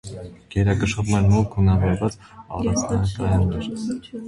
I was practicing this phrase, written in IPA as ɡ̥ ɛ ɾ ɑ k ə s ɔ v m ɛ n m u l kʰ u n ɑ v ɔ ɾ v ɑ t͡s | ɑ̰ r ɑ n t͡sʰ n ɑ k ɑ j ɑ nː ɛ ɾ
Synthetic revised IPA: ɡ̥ ɛ ɾ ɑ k ə ʃ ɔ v m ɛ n m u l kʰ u n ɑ v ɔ ɾ v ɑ t͡s | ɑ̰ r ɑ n t͡sʰ n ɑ k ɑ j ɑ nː ɛ ɾ